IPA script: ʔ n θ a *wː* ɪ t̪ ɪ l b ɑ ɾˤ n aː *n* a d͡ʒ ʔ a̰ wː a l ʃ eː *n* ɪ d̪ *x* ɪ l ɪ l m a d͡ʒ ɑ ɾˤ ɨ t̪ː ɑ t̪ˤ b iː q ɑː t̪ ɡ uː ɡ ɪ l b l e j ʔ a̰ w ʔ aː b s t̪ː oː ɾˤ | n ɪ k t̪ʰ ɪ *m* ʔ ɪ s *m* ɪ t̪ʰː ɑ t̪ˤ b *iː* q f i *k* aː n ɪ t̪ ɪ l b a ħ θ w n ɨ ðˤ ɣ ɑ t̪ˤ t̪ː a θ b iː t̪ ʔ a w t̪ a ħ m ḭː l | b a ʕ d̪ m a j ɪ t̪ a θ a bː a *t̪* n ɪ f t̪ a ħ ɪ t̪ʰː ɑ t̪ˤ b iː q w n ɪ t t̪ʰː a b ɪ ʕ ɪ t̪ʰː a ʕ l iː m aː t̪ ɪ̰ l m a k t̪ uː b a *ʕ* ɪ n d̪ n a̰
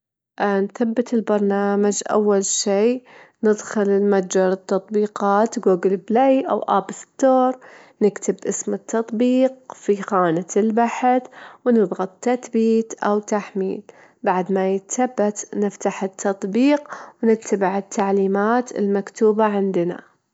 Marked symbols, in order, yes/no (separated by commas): no, no, yes, yes, no, yes, yes, no, yes, yes